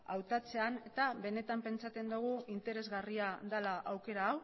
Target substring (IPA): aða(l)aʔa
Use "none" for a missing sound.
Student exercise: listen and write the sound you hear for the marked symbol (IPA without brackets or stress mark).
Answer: l